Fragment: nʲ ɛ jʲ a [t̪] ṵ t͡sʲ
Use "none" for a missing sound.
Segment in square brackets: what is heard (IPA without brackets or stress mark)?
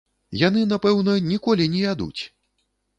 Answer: d̪